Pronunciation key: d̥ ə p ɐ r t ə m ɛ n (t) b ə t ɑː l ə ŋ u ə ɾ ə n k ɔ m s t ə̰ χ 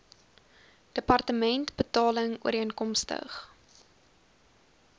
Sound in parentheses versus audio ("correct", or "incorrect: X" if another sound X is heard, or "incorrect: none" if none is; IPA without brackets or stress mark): correct